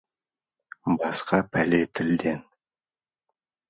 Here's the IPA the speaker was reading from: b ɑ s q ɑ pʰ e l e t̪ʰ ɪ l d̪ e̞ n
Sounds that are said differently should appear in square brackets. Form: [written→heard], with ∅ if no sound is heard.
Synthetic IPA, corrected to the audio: b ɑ s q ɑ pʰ [e→æ] l e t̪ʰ ɪ l d̪ e̞ n

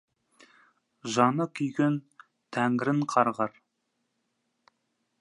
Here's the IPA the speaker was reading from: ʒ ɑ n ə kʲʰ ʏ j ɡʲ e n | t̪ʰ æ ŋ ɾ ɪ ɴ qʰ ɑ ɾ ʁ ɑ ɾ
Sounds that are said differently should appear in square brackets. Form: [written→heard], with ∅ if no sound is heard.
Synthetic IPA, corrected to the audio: ʒ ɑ n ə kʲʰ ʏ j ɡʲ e n | t̪ʰ æ ŋ ɾ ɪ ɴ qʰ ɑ ɾ ʁ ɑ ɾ

